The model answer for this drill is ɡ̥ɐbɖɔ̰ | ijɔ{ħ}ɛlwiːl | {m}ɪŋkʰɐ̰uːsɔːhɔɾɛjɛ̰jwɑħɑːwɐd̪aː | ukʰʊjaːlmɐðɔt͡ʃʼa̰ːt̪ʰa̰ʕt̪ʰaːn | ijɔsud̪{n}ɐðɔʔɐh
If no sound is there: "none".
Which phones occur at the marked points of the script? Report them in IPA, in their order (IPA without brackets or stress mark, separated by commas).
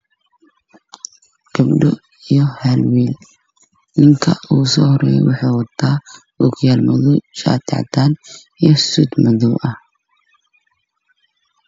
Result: h, n, m